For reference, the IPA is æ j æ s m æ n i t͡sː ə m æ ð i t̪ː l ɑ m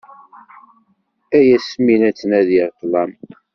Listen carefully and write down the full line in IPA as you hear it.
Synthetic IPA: æ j æ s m i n æ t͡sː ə n æ ð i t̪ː l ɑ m